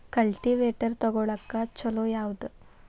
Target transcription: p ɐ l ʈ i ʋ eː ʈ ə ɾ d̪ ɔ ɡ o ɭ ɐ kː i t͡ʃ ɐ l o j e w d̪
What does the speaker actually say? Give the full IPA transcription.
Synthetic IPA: k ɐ l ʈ i ʋ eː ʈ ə ɾ t̪ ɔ ɡ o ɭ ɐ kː a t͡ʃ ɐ l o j a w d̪